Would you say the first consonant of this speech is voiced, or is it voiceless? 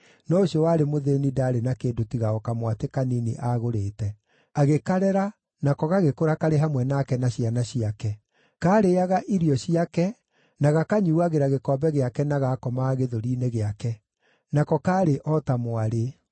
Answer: voiced